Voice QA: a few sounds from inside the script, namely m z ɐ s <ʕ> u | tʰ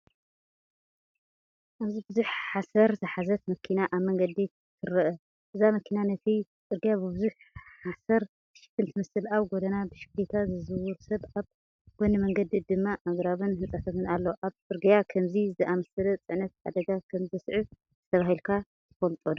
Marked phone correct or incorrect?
correct